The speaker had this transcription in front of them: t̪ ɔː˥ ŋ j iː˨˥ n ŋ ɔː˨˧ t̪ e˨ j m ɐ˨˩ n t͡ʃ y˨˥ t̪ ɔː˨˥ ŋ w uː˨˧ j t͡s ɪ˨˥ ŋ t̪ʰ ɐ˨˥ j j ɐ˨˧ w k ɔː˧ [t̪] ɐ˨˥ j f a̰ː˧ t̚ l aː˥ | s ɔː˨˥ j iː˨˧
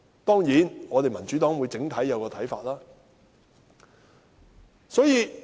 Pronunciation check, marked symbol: incorrect: t̪ʰ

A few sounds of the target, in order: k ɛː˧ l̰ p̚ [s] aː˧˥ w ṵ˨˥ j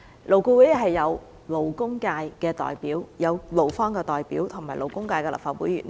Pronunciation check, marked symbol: incorrect: f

